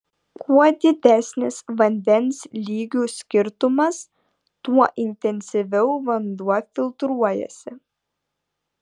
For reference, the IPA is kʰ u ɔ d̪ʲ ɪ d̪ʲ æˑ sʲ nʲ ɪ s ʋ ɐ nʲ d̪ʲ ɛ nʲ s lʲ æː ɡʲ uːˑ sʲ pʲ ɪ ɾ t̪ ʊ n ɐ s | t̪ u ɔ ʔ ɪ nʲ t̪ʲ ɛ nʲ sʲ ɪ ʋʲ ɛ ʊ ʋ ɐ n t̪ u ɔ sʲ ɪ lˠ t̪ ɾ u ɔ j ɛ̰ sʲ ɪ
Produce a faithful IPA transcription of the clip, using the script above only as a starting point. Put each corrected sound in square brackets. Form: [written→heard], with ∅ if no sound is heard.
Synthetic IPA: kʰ u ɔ d̪ʲ ɪ d̪ʲ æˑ sʲ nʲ ɪ s ʋ ɐ nʲ d̪ʲ ɛ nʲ s lʲ [æː→iː] ɡʲ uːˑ sʲ [pʲ→kʲ] ɪ ɾ t̪ ʊ [n→m] ɐ s | t̪ u ɔ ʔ ɪ nʲ t̪ʲ ɛ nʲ sʲ ɪ ʋʲ ɛ ʊ ʋ ɐ n [t̪→d̪] u ɔ [sʲ→fʲ] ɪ lˠ t̪ ɾ u ɔ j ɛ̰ sʲ ɪ